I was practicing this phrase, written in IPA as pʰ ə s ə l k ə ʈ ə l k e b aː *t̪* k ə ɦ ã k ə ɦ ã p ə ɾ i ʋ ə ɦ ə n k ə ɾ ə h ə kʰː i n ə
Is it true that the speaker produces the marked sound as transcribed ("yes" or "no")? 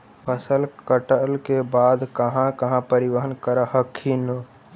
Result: no